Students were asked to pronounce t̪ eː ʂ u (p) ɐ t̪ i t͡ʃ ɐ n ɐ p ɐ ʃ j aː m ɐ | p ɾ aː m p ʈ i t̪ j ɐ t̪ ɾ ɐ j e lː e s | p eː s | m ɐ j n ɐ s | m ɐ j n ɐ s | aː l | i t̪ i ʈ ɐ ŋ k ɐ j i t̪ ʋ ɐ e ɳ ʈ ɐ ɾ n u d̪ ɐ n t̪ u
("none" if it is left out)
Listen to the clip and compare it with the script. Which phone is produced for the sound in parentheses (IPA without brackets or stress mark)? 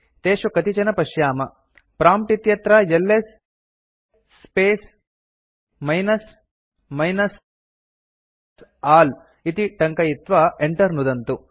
k